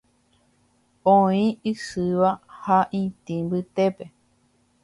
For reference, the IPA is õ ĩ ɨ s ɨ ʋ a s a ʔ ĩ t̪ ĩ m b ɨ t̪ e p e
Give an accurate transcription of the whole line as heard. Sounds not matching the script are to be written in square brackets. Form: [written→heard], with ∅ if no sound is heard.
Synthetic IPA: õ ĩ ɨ s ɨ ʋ a [s→h] a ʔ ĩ t̪ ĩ m b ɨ t̪ e p e